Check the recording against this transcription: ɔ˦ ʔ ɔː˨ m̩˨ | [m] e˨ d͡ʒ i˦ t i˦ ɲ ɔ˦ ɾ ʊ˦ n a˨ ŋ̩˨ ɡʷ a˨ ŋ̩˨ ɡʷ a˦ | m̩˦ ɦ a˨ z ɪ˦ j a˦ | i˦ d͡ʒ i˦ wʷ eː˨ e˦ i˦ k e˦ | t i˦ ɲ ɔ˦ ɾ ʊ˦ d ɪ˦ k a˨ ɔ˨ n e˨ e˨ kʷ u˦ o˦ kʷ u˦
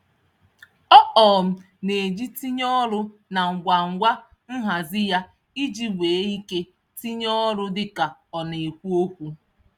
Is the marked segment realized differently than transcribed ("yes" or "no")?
yes